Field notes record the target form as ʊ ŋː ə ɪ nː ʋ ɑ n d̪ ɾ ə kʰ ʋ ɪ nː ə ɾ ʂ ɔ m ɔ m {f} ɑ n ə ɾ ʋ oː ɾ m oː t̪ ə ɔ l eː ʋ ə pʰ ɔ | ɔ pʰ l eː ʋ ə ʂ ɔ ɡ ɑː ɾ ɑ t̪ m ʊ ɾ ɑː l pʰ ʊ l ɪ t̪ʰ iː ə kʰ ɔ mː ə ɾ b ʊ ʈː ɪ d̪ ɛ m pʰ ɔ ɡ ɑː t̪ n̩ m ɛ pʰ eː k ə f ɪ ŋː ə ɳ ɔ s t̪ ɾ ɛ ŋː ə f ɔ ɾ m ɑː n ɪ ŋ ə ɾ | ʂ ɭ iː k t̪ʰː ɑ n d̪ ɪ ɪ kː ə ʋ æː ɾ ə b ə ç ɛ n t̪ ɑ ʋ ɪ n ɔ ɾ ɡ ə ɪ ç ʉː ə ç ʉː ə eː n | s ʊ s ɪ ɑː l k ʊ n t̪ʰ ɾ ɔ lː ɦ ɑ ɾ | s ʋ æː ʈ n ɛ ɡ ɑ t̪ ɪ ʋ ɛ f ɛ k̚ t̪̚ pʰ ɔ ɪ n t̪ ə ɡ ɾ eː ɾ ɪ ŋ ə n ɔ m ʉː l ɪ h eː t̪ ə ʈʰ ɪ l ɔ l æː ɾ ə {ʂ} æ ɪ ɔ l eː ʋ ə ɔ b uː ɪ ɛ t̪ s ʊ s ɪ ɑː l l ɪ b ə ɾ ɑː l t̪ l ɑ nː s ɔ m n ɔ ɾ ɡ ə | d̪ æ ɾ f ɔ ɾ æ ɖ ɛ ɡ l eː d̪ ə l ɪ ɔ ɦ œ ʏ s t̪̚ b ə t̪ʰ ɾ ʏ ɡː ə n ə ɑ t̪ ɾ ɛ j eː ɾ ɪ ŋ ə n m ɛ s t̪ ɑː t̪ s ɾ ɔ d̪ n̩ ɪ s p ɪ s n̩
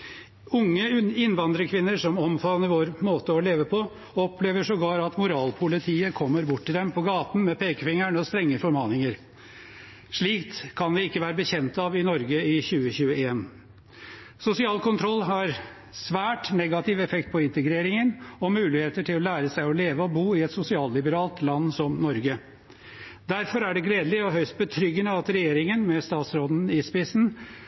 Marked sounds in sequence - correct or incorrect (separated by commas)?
correct, incorrect